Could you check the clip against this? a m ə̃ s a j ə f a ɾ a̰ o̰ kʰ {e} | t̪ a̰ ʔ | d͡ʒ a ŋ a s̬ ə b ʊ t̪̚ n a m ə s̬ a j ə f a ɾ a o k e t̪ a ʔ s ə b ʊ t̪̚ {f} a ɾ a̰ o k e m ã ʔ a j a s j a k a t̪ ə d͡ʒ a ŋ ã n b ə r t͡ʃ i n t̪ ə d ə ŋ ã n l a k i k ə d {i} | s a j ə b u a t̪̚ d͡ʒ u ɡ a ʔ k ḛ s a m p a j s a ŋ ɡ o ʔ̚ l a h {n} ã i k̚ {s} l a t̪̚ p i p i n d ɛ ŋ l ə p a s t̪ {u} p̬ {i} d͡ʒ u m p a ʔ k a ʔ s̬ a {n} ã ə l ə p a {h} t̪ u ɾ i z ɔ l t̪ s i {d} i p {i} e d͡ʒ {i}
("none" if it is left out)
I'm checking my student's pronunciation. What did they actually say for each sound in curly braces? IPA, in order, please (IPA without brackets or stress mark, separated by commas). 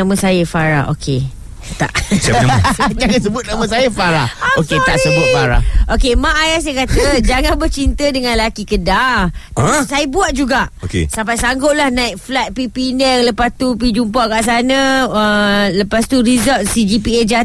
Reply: e, f, a, n, f, u, i, n, s, d͡ʒ, i, a